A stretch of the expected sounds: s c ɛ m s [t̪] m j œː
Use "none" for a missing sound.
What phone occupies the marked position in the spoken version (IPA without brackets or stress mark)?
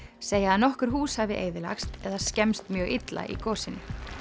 t̪